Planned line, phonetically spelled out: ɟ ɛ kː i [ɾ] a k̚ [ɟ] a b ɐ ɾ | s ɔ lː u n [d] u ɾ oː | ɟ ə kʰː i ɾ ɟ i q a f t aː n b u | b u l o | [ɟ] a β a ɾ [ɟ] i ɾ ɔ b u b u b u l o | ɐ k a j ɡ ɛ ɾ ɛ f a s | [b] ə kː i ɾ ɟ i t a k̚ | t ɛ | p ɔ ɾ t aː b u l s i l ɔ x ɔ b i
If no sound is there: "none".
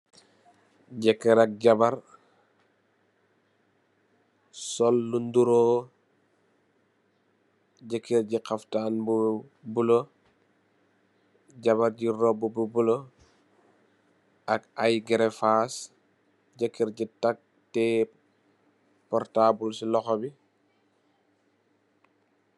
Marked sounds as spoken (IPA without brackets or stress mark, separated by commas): ɾ, ɟ, d, ɟ, ɟ, ɟ